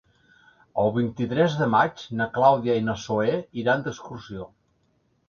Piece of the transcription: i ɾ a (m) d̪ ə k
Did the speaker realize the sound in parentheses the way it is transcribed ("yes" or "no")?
no